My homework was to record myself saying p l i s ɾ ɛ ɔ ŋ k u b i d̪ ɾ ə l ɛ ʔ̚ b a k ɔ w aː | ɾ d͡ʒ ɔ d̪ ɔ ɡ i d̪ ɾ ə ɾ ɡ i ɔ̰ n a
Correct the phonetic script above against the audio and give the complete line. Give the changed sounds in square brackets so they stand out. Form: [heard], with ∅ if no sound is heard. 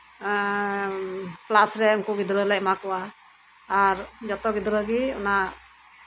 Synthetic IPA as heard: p l [a] s ɾ ɛ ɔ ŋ k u [ɡ] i d̪ ɾ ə l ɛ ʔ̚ [m] a k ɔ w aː | ɾ d͡ʒ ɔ [t̪] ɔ ɡ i d̪ ɾ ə [∅] ɡ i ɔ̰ n a